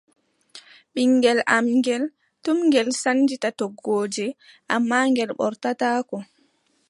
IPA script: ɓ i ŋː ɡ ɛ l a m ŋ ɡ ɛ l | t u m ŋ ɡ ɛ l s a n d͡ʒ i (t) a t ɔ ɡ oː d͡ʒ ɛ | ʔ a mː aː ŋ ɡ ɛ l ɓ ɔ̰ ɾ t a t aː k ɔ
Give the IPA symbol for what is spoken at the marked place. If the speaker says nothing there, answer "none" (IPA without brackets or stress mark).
t